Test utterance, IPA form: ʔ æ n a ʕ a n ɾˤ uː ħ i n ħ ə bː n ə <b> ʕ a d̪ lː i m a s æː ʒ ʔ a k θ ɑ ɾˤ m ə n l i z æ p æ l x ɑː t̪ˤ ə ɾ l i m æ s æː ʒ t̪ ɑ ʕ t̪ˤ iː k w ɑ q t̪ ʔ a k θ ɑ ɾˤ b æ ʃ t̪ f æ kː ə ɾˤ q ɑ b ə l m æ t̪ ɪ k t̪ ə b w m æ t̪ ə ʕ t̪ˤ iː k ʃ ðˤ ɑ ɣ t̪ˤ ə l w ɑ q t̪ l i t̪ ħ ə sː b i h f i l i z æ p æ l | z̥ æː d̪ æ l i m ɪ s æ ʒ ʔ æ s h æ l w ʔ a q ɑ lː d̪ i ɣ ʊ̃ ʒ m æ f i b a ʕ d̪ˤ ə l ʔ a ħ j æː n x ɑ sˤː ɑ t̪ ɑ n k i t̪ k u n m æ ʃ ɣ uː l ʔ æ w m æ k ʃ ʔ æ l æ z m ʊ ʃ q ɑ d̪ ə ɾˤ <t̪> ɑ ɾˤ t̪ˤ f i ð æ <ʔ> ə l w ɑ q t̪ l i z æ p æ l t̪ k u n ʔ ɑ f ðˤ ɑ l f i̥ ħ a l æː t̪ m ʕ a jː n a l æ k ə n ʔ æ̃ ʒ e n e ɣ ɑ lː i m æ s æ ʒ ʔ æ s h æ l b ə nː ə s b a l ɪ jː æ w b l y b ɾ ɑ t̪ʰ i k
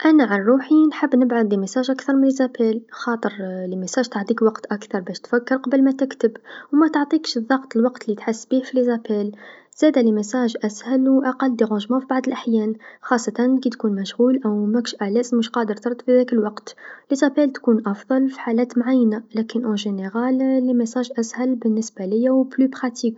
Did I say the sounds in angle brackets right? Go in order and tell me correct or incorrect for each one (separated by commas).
correct, correct, incorrect